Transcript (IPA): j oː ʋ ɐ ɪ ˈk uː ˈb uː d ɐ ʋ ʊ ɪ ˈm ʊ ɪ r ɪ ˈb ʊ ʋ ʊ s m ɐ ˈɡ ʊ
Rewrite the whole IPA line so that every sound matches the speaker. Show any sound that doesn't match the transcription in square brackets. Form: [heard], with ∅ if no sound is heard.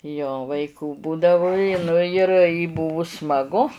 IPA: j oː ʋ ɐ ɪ ˈk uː ˈb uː d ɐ ʋ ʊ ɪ [ˈn] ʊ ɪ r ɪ ˈb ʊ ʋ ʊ s m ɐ ˈɡ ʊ